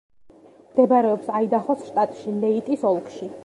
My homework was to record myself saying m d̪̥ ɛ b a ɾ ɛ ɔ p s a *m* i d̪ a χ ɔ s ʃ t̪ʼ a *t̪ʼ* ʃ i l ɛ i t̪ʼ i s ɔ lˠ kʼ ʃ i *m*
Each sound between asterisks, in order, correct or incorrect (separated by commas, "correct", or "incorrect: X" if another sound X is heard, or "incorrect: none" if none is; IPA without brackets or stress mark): incorrect: none, correct, incorrect: none